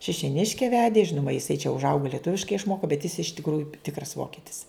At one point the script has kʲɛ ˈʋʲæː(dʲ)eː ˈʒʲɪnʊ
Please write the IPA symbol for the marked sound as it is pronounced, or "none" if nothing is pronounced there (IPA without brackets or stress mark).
dʲ